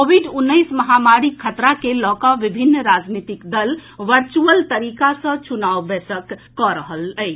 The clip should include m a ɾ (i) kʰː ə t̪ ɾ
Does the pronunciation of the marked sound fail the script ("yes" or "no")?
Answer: no